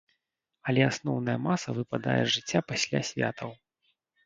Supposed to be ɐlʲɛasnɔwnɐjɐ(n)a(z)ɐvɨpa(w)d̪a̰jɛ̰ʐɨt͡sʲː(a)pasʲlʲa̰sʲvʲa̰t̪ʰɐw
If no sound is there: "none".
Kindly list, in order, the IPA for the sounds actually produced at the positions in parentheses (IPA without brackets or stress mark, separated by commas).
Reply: m, s, none, a